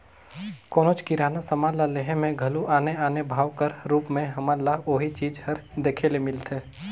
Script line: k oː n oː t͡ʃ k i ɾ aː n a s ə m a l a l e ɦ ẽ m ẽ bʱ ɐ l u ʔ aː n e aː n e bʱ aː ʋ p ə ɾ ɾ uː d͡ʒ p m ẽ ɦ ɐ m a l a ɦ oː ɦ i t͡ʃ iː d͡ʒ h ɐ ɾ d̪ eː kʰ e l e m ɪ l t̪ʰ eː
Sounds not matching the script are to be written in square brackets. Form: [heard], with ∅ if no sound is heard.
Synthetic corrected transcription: k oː n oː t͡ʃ k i ɾ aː n a s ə m a l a l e ɦ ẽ m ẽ [ɡʱ] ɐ l u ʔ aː n e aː n e bʱ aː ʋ [k] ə ɾ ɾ uː [∅] p m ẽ ɦ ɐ m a l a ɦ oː ɦ i t͡ʃ iː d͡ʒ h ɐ ɾ d̪ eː kʰ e l e m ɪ l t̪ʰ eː